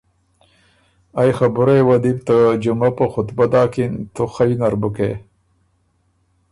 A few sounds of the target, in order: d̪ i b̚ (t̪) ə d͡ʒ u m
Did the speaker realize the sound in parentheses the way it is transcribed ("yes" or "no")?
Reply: yes